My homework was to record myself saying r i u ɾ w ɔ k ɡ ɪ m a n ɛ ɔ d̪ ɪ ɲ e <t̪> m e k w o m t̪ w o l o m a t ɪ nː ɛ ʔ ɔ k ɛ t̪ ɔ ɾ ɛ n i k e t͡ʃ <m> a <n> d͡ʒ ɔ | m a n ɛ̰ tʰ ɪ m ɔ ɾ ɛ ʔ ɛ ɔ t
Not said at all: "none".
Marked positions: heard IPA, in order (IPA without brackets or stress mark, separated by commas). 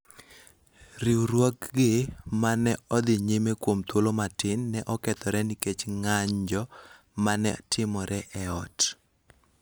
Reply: none, ŋ, ɲ